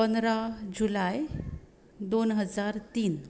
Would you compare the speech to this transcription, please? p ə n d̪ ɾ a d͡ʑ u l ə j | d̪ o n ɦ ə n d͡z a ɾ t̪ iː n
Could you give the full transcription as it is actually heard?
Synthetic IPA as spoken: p ə n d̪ ɾ a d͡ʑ u l a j | d̪ o n ɦ ə d͡z a ɾ t̪ iː n